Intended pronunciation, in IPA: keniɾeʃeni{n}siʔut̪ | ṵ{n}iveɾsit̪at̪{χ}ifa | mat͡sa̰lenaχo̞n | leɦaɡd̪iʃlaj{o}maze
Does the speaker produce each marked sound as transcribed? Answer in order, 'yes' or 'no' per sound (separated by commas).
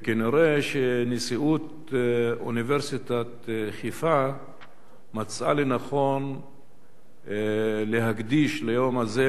no, yes, yes, yes